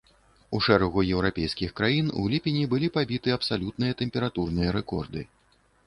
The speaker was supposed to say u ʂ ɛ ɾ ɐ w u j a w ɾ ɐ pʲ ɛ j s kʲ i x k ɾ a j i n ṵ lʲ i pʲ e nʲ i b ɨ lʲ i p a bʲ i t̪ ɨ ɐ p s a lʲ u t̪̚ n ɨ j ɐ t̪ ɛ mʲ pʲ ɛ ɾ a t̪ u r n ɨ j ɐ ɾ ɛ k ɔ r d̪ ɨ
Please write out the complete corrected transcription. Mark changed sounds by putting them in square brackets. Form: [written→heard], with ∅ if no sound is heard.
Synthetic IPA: u ʂ ɛ ɾ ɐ [w→ɣ] u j [a→ɛ] w ɾ [ɐ→a] pʲ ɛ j s kʲ i x k ɾ a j i n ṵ lʲ i pʲ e nʲ i b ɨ lʲ i p a bʲ i t̪ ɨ ɐ p s a lʲ u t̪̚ n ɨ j ɐ t̪ ɛ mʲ pʲ ɛ ɾ a t̪ u r n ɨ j ɐ ɾ ɛ k ɔ r d̪ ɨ